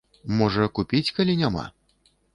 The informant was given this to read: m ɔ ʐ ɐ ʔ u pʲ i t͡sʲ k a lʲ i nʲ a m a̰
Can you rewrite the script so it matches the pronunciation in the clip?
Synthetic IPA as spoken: m ɔ ʐ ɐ k u pʲ i t͡sʲ k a lʲ i nʲ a m a̰